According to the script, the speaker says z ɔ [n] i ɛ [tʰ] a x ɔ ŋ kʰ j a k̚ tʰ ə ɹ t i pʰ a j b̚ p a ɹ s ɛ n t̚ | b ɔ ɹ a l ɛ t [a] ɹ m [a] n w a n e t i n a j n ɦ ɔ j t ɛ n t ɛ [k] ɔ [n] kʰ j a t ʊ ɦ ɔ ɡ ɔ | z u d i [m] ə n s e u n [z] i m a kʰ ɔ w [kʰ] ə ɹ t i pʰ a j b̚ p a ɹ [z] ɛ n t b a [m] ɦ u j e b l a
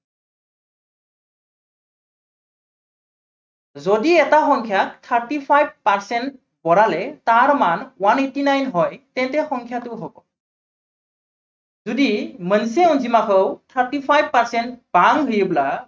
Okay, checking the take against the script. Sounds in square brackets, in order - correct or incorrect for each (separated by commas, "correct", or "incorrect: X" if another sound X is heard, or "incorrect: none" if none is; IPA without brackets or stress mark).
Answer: incorrect: d, incorrect: t, correct, correct, incorrect: x, incorrect: ŋ, correct, correct, incorrect: tʰ, incorrect: s, incorrect: ŋ